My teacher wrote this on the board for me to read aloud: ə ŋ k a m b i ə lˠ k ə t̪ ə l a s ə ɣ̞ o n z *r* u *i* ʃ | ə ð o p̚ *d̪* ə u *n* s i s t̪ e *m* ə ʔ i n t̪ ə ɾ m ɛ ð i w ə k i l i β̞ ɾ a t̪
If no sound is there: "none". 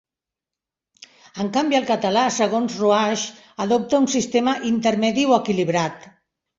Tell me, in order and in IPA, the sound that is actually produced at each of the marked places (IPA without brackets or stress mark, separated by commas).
r, a, t̪, n, m